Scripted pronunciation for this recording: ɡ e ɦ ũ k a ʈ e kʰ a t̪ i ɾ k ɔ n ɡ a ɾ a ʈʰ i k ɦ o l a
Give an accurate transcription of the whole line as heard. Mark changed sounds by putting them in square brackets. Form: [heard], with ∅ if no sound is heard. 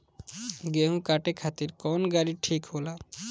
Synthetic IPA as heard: ɡ e ɦ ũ k a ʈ e kʰ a t̪ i ɾ k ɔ n ɡ a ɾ [i] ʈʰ i k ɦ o l a